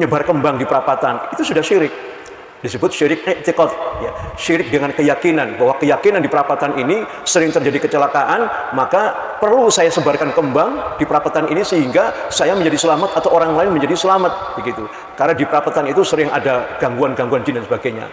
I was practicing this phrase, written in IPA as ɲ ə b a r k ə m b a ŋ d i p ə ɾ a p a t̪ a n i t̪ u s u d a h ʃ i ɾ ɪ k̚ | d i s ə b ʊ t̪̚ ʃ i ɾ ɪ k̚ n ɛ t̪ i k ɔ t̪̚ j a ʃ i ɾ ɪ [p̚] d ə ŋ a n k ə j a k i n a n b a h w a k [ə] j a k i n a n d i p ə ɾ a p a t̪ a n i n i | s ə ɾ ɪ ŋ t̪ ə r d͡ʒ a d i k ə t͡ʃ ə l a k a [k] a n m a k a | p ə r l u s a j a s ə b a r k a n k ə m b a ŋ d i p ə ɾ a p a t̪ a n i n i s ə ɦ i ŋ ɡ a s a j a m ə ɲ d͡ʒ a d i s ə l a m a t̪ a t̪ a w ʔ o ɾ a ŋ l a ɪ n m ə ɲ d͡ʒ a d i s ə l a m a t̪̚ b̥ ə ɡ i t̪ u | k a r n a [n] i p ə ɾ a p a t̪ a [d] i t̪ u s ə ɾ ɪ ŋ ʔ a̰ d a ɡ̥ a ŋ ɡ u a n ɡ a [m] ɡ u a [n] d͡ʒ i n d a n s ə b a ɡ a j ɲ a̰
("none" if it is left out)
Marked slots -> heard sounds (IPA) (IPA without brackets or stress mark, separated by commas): k̚, ə, ʔ, d, n, ŋ, n